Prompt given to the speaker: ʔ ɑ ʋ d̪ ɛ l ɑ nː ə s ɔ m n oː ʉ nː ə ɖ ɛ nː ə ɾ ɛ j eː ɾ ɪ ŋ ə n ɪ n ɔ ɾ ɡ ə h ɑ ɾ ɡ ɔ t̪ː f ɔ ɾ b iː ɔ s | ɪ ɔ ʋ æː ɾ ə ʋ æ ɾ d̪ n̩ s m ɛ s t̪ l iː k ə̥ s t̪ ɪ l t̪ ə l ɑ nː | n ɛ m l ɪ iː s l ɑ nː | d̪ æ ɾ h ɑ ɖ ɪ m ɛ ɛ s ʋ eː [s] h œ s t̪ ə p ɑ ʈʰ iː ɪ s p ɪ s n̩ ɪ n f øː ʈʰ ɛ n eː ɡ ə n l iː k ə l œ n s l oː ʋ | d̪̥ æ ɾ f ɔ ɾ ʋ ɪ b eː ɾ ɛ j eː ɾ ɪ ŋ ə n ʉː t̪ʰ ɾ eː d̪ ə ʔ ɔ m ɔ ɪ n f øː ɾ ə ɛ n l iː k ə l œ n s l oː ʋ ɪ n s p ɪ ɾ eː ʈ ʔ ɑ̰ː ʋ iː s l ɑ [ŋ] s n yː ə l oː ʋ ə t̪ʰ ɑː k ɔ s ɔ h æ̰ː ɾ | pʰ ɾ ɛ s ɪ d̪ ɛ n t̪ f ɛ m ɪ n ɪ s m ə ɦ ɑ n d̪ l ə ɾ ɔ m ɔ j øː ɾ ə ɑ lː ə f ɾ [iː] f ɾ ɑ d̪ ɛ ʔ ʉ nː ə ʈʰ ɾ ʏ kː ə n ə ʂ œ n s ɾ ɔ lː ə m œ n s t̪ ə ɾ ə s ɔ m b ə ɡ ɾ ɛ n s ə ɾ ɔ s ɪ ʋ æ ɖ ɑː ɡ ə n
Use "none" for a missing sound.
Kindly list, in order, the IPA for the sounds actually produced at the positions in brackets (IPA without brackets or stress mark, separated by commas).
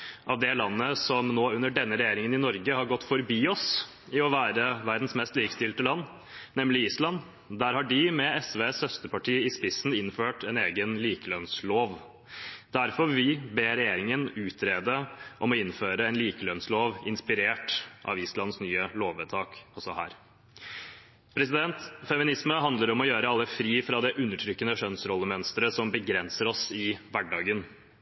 s, n, iː